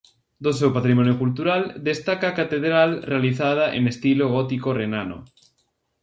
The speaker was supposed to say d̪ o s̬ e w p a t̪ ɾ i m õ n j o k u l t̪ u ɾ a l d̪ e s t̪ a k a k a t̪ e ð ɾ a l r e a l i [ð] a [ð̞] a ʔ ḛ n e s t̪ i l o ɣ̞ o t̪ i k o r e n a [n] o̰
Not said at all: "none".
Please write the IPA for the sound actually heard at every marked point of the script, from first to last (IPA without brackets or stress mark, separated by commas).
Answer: θ, ð̞, n